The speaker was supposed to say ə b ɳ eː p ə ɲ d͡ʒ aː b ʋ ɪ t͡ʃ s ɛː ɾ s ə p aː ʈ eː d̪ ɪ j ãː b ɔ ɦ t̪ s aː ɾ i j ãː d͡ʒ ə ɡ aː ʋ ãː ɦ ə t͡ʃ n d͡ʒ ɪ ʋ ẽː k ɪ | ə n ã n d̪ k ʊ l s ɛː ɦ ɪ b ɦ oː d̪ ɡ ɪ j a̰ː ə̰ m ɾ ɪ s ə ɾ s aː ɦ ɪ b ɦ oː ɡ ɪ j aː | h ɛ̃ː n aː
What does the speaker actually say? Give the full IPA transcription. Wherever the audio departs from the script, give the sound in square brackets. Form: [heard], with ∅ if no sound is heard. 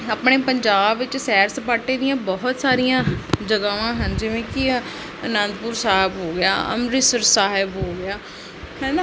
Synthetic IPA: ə [p] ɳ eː p ə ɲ d͡ʒ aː b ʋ ɪ t͡ʃ s ɛː ɾ s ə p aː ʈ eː d̪ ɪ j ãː b ɔ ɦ t̪ s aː ɾ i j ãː d͡ʒ ə ɡ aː ʋ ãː ɦ ə [∅] n d͡ʒ ɪ ʋ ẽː k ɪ | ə n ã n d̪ [p] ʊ [ɾ] s [aː] ɦ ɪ b ɦ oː [∅] ɡ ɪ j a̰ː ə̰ m ɾ ɪ s ə ɾ s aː ɦ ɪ b ɦ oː ɡ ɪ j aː | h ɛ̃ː n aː